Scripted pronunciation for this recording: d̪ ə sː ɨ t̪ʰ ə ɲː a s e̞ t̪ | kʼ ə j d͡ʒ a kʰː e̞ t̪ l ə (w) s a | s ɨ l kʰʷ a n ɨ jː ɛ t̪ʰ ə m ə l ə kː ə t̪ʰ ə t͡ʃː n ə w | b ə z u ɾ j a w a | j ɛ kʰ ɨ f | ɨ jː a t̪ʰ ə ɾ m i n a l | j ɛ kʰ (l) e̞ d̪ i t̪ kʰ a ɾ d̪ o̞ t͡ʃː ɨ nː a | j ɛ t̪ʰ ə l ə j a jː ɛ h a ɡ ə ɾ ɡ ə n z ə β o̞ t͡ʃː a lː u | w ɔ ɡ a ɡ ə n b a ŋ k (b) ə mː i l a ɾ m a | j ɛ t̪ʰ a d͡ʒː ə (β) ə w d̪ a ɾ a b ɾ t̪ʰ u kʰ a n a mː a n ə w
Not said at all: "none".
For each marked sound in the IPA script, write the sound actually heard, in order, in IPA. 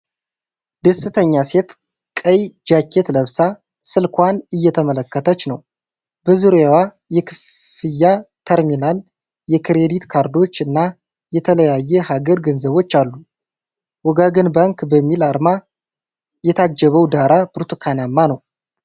β, ɾ, b, β

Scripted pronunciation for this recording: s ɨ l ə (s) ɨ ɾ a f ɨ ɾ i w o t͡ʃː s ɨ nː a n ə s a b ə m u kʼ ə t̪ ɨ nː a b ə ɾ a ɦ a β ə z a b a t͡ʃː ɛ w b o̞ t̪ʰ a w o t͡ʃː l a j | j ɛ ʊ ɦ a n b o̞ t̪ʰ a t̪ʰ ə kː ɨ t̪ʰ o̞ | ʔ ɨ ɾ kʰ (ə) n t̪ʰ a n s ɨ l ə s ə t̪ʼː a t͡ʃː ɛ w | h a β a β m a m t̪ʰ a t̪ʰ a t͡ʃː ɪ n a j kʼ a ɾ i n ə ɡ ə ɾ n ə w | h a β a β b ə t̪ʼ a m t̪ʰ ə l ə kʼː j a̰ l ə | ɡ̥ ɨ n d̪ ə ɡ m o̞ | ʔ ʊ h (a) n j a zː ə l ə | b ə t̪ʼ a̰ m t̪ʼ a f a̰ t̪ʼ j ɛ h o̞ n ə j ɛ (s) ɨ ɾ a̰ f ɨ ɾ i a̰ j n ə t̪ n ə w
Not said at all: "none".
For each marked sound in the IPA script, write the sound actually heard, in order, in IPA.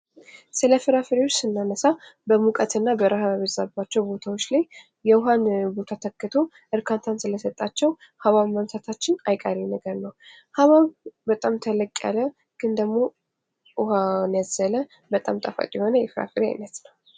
f, a, a, f

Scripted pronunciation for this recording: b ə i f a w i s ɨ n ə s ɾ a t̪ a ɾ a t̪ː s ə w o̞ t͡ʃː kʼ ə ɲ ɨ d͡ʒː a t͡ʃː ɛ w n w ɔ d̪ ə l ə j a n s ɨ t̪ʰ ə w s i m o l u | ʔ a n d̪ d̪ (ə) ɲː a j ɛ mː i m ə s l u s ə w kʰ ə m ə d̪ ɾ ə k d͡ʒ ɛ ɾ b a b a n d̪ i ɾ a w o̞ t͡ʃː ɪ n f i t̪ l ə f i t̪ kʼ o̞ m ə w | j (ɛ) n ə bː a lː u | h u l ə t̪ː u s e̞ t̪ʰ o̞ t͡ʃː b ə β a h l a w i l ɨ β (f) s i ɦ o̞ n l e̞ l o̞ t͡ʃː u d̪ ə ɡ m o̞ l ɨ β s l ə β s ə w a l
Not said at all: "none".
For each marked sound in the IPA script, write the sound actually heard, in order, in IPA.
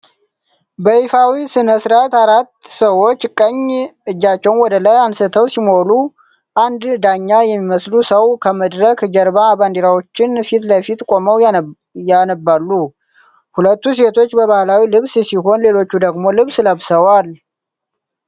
a, a, s

